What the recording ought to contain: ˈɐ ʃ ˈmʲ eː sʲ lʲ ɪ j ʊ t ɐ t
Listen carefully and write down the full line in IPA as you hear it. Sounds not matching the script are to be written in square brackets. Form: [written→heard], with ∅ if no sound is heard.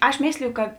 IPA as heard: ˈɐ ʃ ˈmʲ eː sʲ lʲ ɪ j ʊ [t→k] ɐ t